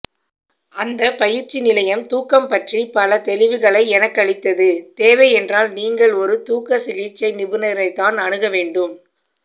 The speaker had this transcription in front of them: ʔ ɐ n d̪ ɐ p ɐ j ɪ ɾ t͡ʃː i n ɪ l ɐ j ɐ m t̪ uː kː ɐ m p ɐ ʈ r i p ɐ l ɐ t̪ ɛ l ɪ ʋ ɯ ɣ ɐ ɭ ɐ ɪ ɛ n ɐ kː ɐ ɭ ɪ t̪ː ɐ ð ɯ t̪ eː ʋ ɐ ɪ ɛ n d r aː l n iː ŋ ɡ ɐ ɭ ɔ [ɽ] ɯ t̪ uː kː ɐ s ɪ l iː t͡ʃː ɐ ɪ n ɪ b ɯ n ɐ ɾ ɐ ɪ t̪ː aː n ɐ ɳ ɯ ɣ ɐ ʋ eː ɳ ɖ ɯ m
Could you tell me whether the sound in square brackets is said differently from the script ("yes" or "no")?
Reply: yes